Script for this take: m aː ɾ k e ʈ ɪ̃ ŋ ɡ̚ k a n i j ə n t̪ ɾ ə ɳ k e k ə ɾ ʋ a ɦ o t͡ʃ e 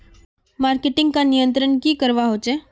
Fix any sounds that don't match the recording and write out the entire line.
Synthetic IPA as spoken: m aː ɾ k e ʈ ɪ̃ ŋ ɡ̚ k a n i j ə n t̪ ɾ ə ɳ k i k ə ɾ ʋ a ɦ o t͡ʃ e